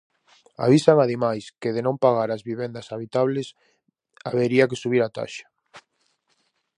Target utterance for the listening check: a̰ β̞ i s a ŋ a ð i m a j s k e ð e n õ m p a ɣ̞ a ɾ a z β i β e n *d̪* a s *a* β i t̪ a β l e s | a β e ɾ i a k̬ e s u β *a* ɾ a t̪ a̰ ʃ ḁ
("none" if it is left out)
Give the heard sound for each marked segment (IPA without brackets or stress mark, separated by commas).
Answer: d̪, a, i